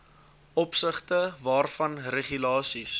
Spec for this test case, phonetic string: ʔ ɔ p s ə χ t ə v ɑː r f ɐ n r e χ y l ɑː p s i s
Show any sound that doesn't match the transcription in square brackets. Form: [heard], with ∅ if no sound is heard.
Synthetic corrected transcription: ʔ ɔ p s ə χ t ə v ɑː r f ɐ n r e χ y l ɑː [∅] s i s